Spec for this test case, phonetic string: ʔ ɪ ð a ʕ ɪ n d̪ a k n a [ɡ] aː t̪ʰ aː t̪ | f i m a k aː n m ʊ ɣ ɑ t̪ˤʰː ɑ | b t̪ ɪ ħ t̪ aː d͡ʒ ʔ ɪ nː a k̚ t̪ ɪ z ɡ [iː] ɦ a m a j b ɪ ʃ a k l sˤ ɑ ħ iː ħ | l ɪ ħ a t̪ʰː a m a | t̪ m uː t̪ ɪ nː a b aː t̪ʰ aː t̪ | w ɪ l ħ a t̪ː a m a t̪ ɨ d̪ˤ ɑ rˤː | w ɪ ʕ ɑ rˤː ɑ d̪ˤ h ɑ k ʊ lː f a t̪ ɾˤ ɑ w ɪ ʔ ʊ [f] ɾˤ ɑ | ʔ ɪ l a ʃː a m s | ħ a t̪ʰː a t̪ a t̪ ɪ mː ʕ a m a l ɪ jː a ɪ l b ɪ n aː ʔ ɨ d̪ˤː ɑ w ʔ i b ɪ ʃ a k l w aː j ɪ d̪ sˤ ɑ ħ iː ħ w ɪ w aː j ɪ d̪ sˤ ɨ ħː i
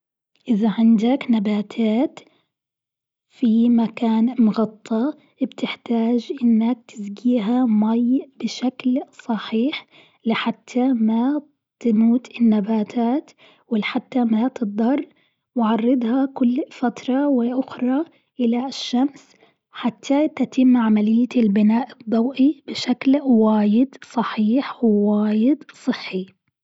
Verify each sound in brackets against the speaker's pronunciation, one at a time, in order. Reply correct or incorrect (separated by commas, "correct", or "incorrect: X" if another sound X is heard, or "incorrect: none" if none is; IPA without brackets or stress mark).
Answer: incorrect: b, correct, incorrect: x